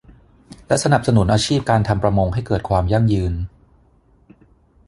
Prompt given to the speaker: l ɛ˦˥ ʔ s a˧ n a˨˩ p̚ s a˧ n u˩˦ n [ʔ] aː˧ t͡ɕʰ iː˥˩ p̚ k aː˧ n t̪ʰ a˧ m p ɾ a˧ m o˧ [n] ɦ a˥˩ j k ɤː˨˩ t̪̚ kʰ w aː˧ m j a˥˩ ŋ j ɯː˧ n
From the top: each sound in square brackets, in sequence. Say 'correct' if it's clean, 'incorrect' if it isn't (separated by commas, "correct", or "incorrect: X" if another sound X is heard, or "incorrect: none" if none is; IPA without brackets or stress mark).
correct, incorrect: ŋ